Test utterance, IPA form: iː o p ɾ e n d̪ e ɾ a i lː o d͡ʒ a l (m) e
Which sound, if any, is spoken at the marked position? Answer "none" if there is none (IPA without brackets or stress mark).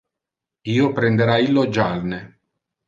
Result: n